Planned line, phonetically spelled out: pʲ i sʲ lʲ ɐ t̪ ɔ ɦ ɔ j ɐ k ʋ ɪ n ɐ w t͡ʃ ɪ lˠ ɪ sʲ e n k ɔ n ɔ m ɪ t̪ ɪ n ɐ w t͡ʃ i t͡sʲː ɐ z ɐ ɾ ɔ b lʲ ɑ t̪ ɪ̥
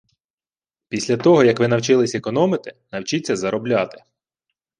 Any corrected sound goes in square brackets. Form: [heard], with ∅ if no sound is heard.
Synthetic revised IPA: pʲ i sʲ lʲ ɐ t̪ ɔ ɦ ɔ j ɐ k ʋ ɪ n ɐ w t͡ʃ ɪ lˠ ɪ sʲ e [∅] k ɔ n ɔ m ɪ t̪ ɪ n ɐ w t͡ʃ i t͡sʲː ɐ z ɐ ɾ ɔ b lʲ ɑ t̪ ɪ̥